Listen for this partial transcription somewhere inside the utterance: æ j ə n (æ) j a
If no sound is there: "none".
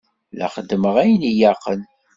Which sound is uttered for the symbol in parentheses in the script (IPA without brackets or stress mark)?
i